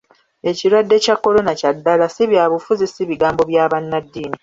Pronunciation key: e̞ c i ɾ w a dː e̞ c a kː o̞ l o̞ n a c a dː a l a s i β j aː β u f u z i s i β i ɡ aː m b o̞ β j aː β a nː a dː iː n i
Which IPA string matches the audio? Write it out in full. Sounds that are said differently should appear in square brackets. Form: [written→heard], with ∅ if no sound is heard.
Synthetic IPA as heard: e̞ c i ɾ w a dː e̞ c a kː o̞ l o̞ n a c a dː a l a s i β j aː β u f u z i s i β i ɡ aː m b o̞ β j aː β a nː a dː iː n i